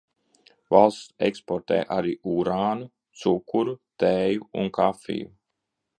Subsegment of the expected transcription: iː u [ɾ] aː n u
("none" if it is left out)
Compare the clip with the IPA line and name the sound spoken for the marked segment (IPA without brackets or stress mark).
ɾ